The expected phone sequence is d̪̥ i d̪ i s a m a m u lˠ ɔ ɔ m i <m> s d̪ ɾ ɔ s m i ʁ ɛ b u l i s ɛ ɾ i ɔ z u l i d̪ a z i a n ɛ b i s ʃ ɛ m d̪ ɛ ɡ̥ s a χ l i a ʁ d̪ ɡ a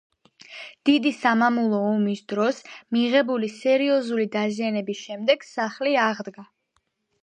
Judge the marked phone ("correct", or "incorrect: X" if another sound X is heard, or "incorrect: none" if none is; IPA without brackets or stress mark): incorrect: none